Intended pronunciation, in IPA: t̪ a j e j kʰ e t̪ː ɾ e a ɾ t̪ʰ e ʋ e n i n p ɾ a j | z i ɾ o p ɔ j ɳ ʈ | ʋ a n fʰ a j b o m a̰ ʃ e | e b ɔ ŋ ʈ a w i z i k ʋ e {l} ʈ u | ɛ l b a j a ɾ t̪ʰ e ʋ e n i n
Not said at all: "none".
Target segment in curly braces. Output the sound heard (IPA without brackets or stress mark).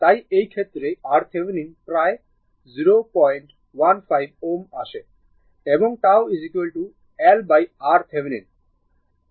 l